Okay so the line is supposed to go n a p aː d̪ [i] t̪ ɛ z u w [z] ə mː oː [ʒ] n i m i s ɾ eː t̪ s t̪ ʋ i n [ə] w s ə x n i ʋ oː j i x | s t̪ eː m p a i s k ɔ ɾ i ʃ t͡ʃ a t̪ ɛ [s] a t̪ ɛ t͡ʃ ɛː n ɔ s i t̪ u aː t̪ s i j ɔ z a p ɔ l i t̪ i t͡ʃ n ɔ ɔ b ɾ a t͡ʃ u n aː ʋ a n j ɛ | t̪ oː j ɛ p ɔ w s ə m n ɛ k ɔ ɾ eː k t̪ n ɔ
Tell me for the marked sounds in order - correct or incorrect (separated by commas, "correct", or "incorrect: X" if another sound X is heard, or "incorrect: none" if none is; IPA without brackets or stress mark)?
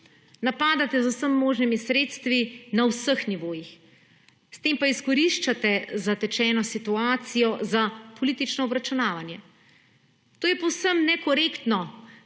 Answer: incorrect: a, incorrect: s, correct, incorrect: a, incorrect: z